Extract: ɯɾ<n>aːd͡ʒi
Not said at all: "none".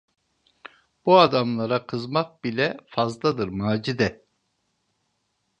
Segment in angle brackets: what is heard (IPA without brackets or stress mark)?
m